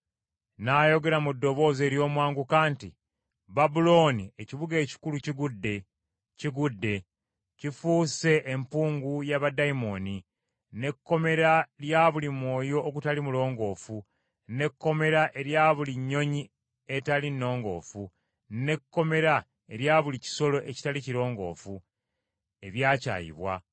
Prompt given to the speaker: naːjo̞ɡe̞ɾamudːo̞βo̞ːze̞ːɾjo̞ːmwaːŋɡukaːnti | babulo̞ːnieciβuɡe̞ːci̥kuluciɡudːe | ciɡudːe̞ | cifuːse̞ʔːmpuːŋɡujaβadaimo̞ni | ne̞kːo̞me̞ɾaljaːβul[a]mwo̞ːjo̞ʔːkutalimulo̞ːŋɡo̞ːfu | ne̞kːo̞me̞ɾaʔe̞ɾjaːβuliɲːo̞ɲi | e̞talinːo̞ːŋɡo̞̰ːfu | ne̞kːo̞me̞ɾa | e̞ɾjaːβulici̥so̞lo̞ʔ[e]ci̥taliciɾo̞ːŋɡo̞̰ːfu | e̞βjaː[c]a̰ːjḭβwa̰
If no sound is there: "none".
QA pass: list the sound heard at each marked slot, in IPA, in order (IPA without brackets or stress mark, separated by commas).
i, e, c